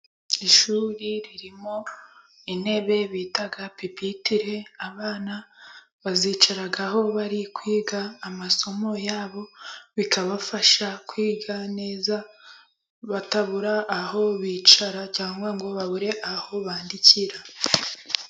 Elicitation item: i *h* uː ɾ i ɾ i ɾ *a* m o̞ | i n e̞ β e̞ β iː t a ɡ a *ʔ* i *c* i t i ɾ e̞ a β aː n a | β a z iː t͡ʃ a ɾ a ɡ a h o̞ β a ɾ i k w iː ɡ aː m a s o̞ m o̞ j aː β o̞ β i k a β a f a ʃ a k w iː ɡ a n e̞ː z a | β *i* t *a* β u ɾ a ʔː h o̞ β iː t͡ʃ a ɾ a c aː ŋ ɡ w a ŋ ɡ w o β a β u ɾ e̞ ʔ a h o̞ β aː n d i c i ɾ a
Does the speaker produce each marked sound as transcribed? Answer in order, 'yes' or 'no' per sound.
no, no, no, no, no, yes

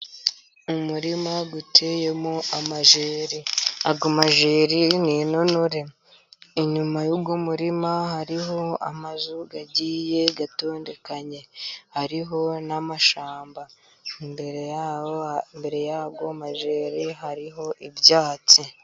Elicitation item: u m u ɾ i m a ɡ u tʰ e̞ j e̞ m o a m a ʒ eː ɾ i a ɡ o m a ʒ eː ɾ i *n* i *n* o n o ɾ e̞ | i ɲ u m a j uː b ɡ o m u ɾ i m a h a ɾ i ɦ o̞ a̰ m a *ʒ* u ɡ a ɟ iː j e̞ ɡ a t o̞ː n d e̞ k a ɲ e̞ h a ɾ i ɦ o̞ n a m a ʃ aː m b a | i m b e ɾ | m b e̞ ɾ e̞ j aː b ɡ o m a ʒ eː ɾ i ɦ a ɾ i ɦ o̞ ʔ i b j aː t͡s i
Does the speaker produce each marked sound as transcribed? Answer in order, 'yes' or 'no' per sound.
yes, yes, no

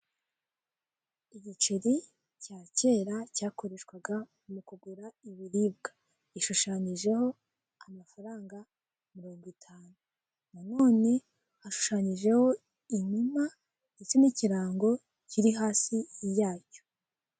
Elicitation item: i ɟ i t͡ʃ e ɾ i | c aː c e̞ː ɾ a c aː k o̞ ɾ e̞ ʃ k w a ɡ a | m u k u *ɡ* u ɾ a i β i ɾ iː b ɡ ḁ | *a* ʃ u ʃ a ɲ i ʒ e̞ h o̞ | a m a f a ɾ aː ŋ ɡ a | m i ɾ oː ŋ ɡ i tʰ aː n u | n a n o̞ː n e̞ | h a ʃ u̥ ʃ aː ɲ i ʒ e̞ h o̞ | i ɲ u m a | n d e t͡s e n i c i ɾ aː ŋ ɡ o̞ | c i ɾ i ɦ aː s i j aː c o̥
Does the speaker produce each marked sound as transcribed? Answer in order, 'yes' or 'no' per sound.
yes, no

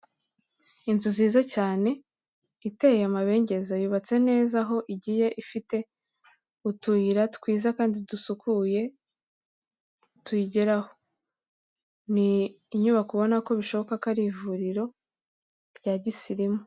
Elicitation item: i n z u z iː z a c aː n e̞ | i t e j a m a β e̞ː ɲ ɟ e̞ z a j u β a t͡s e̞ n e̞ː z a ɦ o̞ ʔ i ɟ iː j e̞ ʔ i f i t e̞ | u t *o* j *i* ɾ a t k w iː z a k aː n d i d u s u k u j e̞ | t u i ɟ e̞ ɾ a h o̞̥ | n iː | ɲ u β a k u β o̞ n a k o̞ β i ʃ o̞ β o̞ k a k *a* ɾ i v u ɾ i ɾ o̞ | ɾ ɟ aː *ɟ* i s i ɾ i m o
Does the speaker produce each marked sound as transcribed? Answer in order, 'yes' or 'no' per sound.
no, yes, yes, yes

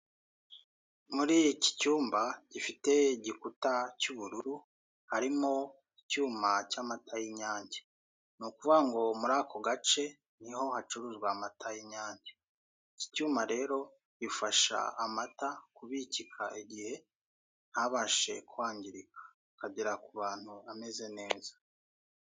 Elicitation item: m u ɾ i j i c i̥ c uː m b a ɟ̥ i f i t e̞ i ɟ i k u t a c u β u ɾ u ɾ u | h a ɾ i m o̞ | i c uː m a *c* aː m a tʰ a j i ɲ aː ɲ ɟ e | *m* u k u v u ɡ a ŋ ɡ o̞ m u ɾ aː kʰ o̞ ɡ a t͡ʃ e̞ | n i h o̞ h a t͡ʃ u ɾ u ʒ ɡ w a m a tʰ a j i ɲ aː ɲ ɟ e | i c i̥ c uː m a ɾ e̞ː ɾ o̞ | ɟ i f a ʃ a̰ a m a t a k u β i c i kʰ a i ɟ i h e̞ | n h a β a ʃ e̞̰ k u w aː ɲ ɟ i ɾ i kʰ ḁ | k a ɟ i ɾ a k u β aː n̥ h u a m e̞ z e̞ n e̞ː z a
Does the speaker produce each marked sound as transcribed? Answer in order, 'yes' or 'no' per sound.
yes, no

